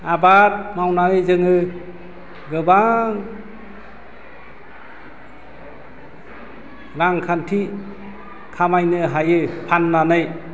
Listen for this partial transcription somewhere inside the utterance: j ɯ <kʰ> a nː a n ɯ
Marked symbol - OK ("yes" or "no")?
no